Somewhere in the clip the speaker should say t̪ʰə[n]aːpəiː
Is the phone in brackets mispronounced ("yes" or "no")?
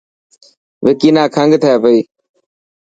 yes